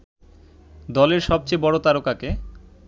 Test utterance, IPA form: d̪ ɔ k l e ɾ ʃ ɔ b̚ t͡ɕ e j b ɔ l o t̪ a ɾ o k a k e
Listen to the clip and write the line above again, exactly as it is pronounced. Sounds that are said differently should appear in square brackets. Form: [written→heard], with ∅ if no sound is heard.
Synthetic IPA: d̪ ɔ [k→∅] l e ɾ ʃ ɔ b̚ t͡ɕ e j b ɔ [l→ɽ] o t̪ a ɾ o k a k e